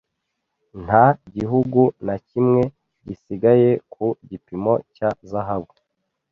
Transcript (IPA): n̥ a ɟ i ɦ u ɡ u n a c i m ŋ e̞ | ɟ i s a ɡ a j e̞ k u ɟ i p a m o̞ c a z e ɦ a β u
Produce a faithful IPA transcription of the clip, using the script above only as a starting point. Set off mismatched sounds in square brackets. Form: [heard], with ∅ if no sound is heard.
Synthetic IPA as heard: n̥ a ɟ i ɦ u ɡ u n a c i m ŋ e̞ | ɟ i s [i] ɡ a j e̞ k u ɟ i p [i] m o̞ c a z [a] ɦ a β u